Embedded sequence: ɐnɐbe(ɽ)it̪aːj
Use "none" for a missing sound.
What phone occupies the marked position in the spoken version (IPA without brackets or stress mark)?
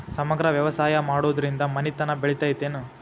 ɭ